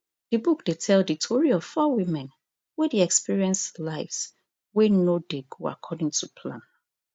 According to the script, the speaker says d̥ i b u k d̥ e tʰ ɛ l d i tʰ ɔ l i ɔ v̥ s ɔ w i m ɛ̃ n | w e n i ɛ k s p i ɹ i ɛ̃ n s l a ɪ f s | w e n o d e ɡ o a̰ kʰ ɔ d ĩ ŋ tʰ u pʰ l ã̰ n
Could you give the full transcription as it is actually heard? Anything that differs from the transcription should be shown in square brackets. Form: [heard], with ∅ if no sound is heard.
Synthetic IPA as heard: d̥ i b u k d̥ e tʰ ɛ l d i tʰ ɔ [ɹ] i ɔ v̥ [f] ɔ w i m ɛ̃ n | w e [d] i ɛ k s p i ɹ i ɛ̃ n s l a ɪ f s | w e n o d e ɡ o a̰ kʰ ɔ d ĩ ŋ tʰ u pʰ l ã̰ n